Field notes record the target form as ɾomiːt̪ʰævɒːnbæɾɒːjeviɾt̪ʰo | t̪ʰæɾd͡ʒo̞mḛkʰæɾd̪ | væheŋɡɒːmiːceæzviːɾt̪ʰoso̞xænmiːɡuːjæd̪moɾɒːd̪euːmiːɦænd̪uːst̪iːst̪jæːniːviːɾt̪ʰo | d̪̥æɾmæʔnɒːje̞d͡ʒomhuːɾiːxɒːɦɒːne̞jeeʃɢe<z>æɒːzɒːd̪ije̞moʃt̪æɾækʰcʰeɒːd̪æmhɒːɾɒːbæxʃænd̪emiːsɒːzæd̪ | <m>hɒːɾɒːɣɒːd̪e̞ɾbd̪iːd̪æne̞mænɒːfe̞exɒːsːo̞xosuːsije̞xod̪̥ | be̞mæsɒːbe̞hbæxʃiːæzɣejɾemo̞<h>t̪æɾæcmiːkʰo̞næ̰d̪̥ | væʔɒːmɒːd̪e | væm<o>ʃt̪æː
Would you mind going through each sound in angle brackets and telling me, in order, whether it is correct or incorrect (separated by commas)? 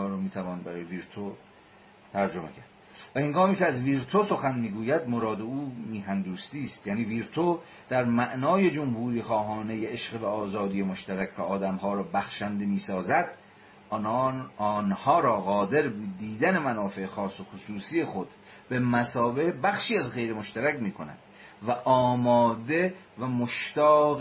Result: incorrect, incorrect, incorrect, correct